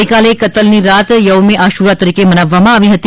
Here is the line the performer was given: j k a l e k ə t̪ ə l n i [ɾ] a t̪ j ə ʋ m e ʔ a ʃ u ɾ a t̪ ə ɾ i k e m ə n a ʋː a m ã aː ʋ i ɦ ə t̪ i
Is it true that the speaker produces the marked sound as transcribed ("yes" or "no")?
yes